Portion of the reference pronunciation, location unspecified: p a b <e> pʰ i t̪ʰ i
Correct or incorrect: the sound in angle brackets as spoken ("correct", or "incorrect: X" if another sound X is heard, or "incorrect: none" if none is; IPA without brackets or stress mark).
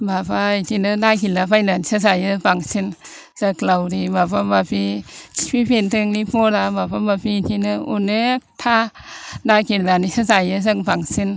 incorrect: a